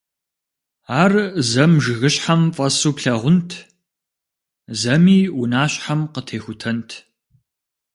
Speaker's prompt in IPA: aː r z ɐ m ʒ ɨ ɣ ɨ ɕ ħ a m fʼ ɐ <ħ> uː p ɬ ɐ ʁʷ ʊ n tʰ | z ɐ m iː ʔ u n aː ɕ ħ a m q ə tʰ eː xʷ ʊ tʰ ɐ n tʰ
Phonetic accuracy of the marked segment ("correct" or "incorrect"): incorrect